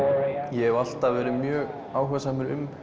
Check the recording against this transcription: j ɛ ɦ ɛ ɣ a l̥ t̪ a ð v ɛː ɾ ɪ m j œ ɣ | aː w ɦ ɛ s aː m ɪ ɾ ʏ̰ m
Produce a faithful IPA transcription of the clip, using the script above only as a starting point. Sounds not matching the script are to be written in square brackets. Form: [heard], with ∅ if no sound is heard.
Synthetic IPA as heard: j ɛ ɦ ɛ [v] a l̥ t̪ a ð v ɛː ɾ ɪ m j [œː] ɣ | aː w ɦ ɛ s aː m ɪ ɾ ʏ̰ m